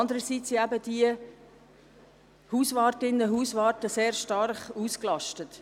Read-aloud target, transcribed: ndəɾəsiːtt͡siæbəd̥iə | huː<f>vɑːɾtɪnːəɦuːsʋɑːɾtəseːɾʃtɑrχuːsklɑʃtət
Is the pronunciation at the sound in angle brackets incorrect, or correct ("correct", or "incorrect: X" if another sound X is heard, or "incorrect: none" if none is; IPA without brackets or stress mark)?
incorrect: s